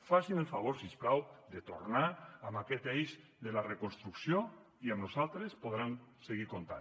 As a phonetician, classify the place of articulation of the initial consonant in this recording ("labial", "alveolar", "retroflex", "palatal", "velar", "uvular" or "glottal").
labial